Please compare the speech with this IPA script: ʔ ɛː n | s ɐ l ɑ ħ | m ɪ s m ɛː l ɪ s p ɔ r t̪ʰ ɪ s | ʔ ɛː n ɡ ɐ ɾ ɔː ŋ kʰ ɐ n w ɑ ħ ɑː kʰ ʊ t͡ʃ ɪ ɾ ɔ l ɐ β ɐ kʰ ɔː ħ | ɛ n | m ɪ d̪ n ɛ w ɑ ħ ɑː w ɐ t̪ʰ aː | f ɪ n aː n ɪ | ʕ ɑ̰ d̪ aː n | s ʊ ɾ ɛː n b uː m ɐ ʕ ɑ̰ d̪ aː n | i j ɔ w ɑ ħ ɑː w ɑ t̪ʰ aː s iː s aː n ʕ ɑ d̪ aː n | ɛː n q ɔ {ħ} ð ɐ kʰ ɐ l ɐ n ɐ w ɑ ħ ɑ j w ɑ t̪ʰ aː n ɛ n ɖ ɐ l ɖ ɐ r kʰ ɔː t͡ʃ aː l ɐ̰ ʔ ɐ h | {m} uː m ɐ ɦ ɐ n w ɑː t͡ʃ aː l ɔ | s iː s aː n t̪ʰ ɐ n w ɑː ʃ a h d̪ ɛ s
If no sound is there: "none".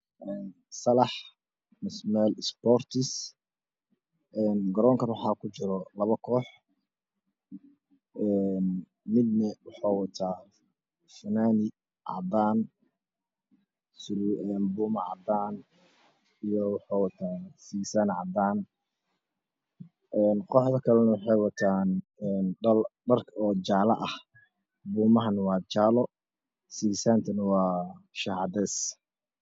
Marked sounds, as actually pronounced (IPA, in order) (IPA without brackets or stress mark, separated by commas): ħ, b